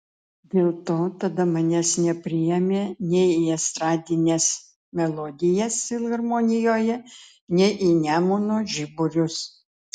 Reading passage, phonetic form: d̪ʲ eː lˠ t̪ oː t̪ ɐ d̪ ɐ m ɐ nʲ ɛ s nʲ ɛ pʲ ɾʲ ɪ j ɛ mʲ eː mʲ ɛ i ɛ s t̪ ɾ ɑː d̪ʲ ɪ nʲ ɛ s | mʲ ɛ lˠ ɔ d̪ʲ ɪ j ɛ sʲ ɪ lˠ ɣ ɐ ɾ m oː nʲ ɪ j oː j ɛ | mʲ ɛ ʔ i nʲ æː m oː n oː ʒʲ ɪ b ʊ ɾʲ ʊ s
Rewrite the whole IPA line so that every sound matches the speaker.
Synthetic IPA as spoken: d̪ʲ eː lˠ t̪ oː t̪ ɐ d̪ ɐ m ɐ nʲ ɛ s nʲ ɛ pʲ ɾʲ ɪ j ɛ mʲ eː nʲ ɛ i ɛ s t̪ ɾ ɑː d̪ʲ ɪ nʲ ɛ s | mʲ ɛ lˠ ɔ d̪ʲ ɪ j ɛ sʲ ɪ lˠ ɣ ɐ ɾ m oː nʲ ɪ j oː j ɛ | nʲ ɛ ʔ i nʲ æː m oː n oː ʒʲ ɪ b ʊ ɾʲ ʊ s